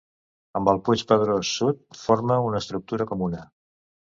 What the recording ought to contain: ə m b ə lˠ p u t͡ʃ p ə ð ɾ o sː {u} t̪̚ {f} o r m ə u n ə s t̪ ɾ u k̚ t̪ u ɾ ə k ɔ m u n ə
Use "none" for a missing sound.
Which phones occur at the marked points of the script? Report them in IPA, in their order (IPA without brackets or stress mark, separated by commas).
u, f